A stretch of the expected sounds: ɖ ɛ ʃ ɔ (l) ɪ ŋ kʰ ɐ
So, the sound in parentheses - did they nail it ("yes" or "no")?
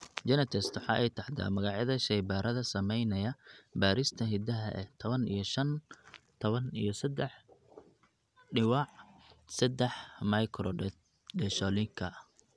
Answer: yes